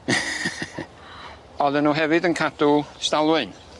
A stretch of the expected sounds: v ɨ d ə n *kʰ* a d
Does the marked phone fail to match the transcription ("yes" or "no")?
no